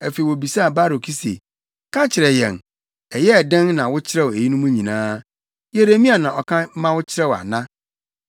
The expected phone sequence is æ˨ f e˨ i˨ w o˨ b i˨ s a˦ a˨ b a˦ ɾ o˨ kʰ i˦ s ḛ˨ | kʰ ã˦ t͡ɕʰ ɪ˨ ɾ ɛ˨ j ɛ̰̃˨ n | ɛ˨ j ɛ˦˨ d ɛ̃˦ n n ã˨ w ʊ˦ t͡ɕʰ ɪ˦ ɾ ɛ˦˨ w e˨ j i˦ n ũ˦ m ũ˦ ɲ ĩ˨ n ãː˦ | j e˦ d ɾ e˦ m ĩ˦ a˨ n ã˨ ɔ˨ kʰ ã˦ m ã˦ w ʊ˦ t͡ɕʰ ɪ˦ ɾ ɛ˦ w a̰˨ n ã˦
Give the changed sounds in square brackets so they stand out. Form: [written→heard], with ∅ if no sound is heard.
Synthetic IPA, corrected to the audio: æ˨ f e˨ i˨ w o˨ b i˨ s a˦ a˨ b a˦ ɾ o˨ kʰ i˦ s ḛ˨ | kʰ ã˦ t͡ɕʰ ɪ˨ ɾ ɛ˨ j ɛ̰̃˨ n | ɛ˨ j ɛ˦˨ d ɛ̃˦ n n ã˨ w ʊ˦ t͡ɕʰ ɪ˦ ɾ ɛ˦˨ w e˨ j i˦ n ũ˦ m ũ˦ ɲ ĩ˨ n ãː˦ | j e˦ [d→∅] ɾ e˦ m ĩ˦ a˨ n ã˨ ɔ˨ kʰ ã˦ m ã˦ w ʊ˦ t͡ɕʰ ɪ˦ ɾ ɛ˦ w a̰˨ n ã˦